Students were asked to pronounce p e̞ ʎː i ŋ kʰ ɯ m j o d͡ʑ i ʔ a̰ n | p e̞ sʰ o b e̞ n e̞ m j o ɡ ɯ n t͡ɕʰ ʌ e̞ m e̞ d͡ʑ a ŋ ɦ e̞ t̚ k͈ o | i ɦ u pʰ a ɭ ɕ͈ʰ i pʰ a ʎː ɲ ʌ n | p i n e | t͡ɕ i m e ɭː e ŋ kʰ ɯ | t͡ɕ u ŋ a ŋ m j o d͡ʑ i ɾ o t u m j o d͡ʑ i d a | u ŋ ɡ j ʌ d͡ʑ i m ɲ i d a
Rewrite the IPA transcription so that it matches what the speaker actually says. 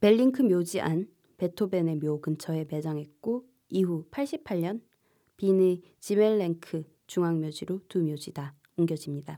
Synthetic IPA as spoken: p e̞ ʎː i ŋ kʰ ɯ m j o d͡ʑ i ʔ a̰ n | p e̞ tʰ o b e̞ n e̞ m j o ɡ ɯ n t͡ɕʰ ʌ e̞ m e̞ d͡ʑ a ŋ ɦ e̞ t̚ k͈ o | i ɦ u pʰ a ɭ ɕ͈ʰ i pʰ a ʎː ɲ ʌ n | p i n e | t͡ɕ i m e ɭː e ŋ kʰ ɯ | t͡ɕ u ŋ a ŋ m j o d͡ʑ i ɾ o t u m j o d͡ʑ i d a | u ŋ ɡ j ʌ d͡ʑ i m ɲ i d a